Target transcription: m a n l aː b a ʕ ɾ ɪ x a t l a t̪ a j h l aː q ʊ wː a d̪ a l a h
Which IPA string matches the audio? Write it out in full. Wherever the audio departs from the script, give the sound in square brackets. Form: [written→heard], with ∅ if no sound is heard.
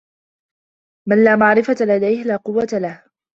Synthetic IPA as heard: m a n l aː [b→m] a ʕ ɾ ɪ [x→f] a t l a [t̪→d̪] a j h l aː q ʊ wː a [d̪→t̪] a l a h